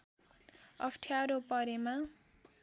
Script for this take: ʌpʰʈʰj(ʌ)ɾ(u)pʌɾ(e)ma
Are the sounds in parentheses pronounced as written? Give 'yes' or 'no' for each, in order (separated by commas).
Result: no, no, yes